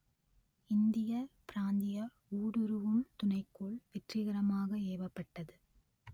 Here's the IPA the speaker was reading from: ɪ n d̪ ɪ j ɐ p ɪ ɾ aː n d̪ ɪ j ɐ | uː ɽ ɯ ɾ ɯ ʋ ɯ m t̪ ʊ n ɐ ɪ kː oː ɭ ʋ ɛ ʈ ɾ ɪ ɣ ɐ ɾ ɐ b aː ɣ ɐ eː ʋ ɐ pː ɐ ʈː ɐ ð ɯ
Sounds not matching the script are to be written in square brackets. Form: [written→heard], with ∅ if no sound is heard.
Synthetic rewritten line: ɪ n d̪ ɪ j ɐ p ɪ ɾ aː n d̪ ɪ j ɐ | uː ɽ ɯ ɾ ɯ ʋ ɯ m t̪ ʊ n ɐ ɪ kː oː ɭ ʋ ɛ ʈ [ɾ→r] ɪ ɣ ɐ ɾ ɐ [b→m] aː ɣ ɐ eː ʋ ɐ pː ɐ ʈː ɐ ð ɯ